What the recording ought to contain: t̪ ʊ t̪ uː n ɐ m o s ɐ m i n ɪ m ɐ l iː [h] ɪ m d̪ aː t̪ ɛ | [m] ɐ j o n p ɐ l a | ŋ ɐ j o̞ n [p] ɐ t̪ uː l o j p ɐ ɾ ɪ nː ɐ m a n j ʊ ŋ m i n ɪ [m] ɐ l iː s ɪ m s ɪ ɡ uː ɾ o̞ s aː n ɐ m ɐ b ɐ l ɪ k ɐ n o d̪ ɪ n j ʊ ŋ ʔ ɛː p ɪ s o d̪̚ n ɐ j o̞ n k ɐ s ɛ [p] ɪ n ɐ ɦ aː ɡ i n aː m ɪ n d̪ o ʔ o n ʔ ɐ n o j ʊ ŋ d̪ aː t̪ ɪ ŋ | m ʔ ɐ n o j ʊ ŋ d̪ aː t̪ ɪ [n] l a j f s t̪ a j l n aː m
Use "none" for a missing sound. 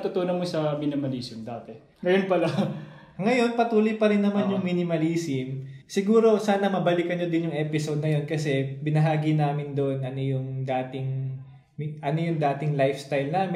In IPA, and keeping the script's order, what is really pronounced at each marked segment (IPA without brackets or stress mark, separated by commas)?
s, ŋ, p, m, b, ŋ